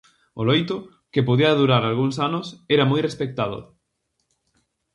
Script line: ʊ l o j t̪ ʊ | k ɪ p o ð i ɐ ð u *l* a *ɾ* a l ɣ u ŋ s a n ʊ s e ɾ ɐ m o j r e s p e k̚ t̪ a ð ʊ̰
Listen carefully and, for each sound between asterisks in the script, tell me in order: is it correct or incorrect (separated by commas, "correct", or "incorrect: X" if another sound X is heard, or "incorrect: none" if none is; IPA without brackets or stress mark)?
incorrect: ɾ, correct